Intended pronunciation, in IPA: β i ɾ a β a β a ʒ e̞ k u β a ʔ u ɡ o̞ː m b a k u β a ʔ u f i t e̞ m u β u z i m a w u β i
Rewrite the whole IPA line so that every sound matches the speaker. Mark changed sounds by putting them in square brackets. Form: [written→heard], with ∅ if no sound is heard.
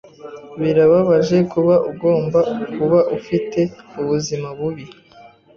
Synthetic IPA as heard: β i ɾ a β a β a ʒ e̞ k u β a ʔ u ɡ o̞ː m b a k u β a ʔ u f i t e̞ [m→∅] u β u z i m a [w→β] u β i

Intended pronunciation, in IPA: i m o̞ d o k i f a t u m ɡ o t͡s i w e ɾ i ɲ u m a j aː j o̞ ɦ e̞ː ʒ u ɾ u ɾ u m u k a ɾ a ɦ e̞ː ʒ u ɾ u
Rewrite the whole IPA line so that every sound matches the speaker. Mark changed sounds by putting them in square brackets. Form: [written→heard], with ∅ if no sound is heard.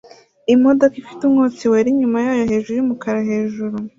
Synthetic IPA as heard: i m o̞ d o k i f [a→i] t u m [ɡ→ŋ] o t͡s i w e ɾ i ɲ u m a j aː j o̞ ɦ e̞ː ʒ u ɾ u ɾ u m u k a ɾ a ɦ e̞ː ʒ u ɾ u

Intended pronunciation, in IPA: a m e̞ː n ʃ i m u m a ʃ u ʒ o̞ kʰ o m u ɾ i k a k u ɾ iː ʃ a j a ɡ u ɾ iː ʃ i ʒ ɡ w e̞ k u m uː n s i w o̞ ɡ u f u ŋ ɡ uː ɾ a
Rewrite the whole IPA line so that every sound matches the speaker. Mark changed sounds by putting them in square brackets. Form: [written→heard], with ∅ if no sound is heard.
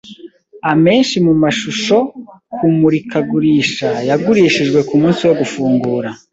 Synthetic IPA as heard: a m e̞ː n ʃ i m u m a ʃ u [ʒ→ʃ] o̞ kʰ [o→u] m u ɾ i k a [k→ɡ] u ɾ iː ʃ a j a ɡ u ɾ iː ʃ i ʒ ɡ w e̞ k u m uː n s i w o̞ ɡ u f [u→uː] ŋ ɡ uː ɾ a

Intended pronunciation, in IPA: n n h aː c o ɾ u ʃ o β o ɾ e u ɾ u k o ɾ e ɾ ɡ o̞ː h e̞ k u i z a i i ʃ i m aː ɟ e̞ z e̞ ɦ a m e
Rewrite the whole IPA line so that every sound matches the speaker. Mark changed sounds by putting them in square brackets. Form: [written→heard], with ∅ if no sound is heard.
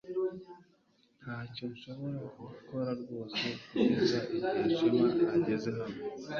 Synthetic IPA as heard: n n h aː c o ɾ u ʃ o β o ɾ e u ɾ u k o ɾ [e→a] ɾ ɡ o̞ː [h→s] e̞ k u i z a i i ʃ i m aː ɟ e̞ z e̞ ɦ a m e

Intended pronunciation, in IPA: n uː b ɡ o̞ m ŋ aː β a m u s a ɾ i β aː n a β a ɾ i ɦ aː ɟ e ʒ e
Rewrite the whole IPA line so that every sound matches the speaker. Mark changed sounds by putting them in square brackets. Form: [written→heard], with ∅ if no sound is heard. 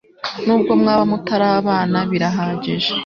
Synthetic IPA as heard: n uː b ɡ o̞ m ŋ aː β a m u [s→t] a ɾ [i→a] β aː n a β [a→i] ɾ [i→a] ɦ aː ɟ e ʒ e

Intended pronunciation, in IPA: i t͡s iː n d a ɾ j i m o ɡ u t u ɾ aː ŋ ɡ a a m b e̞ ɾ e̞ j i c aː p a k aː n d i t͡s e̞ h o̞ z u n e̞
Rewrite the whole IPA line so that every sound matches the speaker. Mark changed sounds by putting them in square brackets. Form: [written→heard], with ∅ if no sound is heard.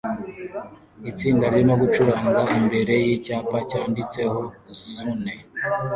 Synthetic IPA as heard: i t͡s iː n d a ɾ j i m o ɡ u [t→t͡ʃ] u ɾ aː ŋ ɡ a [a→i] m b e̞ ɾ e̞ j i c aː p a [k→c] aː n d i t͡s e̞ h o̞ z u n e̞

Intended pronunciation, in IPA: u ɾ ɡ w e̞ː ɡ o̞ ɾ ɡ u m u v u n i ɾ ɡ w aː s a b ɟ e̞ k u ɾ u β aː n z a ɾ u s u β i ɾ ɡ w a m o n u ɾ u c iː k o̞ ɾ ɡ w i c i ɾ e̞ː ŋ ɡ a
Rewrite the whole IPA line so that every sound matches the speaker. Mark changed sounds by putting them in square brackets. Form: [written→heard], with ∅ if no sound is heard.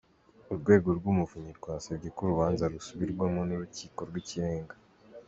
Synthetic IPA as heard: u ɾ ɡ w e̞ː ɡ o̞ ɾ ɡ u m u v u [n→ɲ] i ɾ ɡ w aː s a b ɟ e̞ k u ɾ u β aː n z a ɾ u s u β i ɾ ɡ w a m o n u ɾ u c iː k o̞ ɾ ɡ w i c i ɾ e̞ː ŋ ɡ a

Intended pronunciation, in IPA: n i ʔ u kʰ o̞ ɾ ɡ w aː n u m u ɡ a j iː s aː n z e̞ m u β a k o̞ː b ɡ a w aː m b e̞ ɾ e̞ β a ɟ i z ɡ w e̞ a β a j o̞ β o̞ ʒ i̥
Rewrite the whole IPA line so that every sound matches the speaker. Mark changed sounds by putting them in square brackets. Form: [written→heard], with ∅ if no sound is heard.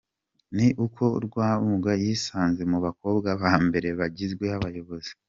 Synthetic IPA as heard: n i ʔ u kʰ o̞ ɾ ɡ w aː [n→∅] u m u ɡ a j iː s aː n z e̞ m u β a k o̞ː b ɡ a [w→β] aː m b e̞ ɾ e̞ β a ɟ i z ɡ w e̞ a β a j o̞ β o̞ [ʒ→z] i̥

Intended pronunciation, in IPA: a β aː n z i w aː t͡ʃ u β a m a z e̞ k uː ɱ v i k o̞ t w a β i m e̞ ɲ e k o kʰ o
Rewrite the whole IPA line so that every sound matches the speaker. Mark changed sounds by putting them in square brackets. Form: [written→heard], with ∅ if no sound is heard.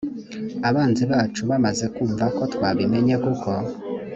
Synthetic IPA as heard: a β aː n z i [w→β] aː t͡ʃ u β a m a z e̞ k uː ɱ v [i→a] k o̞ t w a β i m e̞ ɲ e k [o→u] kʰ o

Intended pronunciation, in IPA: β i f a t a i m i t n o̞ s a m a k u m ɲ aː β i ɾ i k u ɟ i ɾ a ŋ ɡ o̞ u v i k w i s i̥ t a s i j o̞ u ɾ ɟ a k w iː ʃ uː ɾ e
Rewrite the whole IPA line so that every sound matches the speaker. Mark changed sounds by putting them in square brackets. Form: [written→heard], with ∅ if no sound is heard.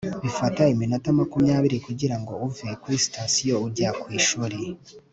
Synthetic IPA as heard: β i f a t a i m i [t→∅] n o̞ [s→t] a m a k u m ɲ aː β i ɾ i k u ɟ i ɾ a ŋ ɡ o̞ u v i k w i s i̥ t a s i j o̞ u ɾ ɟ a k w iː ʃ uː ɾ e

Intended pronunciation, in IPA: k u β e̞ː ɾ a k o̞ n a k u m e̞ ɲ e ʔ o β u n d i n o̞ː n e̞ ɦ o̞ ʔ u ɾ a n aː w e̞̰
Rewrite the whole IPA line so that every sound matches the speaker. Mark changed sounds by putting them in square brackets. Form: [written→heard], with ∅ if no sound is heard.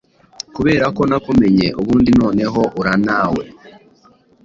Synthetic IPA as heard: k u β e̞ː ɾ a k o̞ n a k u m e̞ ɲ e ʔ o β [u→uː] n d i n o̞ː n e̞ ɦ o̞ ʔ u ɾ a n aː w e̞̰

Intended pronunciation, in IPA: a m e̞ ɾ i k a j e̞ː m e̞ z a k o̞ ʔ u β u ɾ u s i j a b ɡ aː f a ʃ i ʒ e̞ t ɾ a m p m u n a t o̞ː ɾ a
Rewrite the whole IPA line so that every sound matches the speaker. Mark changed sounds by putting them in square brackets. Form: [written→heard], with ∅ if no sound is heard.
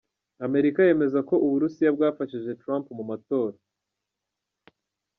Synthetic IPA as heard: a m e̞ ɾ i k a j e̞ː m e̞ z a k o̞ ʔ u β u ɾ u s i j a b ɡ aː f a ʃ i ʒ e̞ t ɾ a m p m u [n→m] a t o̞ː ɾ a

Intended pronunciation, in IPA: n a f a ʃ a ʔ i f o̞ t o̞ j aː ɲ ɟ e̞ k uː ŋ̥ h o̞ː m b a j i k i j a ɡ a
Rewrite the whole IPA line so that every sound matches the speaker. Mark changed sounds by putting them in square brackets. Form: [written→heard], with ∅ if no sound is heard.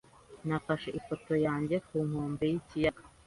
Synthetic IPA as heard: n a f a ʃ [a→e] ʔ i f o̞ t o̞ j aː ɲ ɟ e̞ k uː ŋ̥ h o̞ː m b [a→e] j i [k→c] i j a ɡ a

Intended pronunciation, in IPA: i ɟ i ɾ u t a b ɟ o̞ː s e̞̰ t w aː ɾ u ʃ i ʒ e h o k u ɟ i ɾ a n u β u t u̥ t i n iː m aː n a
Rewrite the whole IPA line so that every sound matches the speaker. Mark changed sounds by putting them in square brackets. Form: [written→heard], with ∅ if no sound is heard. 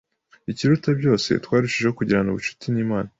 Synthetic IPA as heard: i [ɟ→c] i ɾ u t a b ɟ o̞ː s e̞̰ t w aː ɾ u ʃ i ʒ e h o k u ɟ i ɾ a n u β u [t→t͡ʃ] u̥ t i n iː m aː n a

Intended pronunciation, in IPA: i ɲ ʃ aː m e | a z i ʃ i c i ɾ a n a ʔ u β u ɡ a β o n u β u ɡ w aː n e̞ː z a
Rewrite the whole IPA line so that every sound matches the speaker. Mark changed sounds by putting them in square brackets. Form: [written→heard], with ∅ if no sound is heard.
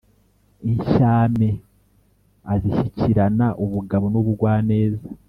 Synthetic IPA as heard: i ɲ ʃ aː m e | a z i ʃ i c i ɾ a n a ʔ u β u ɡ a β o n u β u ɡ w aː n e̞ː z a

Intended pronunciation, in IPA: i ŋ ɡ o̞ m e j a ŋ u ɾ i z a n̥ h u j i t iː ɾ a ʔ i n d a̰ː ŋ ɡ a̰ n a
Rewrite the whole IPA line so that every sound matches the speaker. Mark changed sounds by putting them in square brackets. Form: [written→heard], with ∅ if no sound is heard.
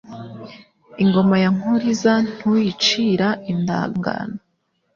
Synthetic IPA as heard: i ŋ ɡ o̞ m [e→a] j a ŋ u ɾ i z a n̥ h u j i [t→t͡ʃ] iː ɾ a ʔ i n d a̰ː ŋ ɡ a̰ n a

